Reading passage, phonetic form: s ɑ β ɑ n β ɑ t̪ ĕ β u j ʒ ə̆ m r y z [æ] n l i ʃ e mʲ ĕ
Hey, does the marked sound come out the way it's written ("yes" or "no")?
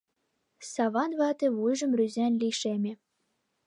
yes